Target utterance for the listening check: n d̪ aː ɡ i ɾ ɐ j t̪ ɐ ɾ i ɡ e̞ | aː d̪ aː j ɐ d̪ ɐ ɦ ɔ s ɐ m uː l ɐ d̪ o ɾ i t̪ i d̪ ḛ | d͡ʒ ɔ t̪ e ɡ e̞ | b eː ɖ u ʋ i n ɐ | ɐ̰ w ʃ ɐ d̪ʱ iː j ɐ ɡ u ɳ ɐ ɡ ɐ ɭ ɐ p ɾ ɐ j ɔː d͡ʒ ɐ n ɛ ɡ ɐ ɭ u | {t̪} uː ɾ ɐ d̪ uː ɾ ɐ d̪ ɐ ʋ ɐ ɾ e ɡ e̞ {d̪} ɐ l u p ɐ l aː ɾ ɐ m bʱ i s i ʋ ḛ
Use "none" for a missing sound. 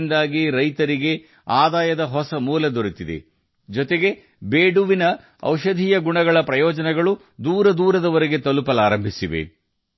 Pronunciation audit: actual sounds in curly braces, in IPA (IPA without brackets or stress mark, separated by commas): d̪, t̪